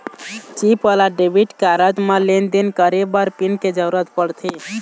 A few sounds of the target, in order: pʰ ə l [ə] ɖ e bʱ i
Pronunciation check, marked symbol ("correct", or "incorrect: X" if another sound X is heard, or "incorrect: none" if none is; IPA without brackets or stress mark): incorrect: a